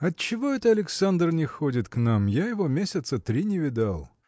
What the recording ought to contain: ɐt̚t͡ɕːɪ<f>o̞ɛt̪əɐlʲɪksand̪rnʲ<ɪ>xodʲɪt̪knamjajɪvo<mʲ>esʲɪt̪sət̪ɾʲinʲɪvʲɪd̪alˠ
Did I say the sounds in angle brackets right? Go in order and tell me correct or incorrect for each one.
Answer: incorrect: v, correct, correct

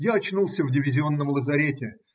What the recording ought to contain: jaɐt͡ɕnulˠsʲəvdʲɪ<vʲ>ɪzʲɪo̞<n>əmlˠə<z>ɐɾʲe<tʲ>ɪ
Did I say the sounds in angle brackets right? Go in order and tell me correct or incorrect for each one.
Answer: correct, incorrect: nː, correct, correct

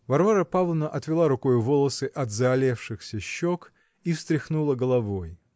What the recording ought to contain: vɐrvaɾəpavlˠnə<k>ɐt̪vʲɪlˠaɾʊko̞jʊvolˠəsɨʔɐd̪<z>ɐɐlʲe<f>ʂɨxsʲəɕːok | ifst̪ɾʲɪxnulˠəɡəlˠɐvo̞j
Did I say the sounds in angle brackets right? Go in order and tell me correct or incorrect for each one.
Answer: incorrect: ʔ, correct, correct

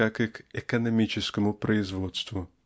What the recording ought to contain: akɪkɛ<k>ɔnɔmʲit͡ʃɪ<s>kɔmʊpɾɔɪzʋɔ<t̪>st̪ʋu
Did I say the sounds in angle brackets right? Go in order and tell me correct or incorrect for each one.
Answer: correct, correct, correct

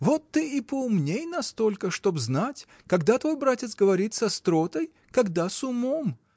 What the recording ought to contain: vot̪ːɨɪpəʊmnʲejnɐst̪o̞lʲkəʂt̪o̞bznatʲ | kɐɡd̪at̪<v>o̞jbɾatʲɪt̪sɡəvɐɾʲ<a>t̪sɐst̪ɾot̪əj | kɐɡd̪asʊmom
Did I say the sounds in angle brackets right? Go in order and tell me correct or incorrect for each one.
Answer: correct, incorrect: i

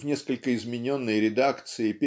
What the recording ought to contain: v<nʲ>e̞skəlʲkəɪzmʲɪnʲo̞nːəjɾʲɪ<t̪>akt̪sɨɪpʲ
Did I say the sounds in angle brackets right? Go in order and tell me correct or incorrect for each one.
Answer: correct, incorrect: d̪

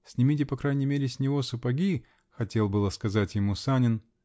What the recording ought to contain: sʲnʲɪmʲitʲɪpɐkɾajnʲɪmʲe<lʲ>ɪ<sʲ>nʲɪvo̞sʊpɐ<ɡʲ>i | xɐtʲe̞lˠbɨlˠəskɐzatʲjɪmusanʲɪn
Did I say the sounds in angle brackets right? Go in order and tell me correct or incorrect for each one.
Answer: incorrect: ɾʲ, correct, correct

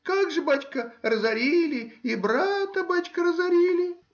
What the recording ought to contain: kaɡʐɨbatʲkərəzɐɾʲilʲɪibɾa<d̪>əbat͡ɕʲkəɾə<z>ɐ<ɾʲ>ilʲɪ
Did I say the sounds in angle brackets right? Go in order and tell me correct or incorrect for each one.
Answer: incorrect: t̪, correct, correct

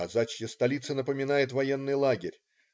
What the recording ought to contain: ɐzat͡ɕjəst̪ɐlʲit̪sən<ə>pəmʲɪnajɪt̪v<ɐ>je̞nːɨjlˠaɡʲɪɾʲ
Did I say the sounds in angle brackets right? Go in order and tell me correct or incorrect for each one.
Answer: correct, correct

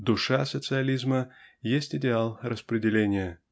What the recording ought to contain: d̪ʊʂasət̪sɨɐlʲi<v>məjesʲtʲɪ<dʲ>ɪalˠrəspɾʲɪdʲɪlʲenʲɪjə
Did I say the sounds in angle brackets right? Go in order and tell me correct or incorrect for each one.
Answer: incorrect: z, correct

